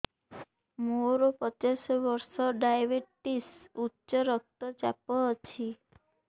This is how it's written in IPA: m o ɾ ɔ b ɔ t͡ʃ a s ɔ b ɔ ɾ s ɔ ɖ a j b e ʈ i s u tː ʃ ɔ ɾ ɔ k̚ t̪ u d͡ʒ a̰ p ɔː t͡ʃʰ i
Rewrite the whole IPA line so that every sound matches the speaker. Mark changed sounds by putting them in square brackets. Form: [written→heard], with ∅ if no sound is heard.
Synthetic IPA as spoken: m o ɾ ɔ [b→p] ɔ t͡ʃ a s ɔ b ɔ ɾ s ɔ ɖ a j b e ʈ i s u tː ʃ ɔ ɾ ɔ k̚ t̪ [u→ɔ] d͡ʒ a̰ p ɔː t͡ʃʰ i